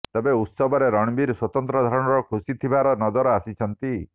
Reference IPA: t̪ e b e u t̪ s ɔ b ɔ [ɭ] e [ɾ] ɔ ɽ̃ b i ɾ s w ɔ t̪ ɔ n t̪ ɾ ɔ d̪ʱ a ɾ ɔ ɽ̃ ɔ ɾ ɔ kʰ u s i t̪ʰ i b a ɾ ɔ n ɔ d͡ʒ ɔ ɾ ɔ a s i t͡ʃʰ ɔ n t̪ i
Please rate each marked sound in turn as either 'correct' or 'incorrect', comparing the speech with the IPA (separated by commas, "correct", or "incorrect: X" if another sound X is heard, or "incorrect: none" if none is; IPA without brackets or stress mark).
incorrect: ɾ, correct